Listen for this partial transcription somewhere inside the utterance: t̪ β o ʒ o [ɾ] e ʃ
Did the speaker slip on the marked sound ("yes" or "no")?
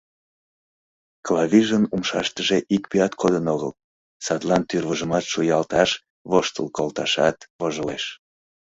yes